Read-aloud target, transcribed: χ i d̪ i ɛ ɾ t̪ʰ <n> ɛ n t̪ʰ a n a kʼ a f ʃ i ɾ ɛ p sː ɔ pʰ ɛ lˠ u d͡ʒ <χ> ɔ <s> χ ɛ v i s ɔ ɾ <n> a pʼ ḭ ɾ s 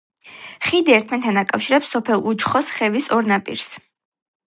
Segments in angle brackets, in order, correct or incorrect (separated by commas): incorrect, correct, correct, correct